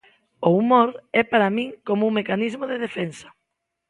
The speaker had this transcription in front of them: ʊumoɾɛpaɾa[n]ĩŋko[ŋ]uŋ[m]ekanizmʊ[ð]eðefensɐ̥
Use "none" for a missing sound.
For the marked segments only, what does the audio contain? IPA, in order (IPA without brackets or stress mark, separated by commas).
m, m, m, ð